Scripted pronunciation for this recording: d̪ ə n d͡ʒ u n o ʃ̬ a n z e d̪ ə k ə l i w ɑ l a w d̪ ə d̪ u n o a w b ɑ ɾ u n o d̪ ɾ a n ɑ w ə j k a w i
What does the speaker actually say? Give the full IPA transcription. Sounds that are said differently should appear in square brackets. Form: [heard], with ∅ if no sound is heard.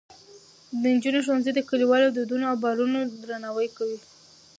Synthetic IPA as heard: d̪ ə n d͡ʒ u n o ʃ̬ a n z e d̪ ə k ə l i w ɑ l a w d̪ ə d̪ u n o a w b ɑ ɾ u n o d̪ ɾ a n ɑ w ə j k a w i